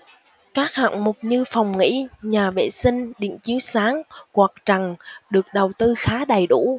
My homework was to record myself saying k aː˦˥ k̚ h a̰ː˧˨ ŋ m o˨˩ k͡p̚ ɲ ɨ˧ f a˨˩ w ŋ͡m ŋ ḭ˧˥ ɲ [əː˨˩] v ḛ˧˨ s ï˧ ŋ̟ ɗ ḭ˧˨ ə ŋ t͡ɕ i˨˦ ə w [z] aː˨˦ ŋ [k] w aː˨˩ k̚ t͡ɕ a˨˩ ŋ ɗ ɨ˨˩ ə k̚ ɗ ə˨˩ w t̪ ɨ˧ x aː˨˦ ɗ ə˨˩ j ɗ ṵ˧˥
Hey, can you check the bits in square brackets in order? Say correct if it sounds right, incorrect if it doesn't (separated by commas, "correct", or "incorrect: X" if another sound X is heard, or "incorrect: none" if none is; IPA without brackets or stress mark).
incorrect: aː˨˩, incorrect: s, correct